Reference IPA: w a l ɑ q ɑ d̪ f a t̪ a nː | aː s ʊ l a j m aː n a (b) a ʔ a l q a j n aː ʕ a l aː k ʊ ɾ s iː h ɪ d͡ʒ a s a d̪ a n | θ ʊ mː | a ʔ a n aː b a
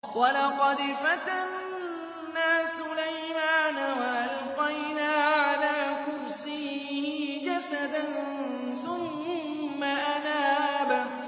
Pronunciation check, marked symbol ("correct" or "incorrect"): incorrect